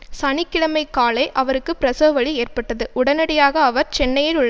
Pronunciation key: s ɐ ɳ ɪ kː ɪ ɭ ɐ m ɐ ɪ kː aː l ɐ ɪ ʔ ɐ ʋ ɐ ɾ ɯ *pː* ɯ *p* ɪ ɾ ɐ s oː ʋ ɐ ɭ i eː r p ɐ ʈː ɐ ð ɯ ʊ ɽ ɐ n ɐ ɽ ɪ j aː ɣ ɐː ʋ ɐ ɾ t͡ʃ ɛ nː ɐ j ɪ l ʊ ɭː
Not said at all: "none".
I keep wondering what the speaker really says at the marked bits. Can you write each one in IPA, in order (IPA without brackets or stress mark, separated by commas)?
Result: kː, p